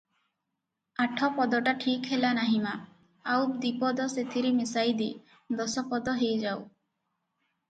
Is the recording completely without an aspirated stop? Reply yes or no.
no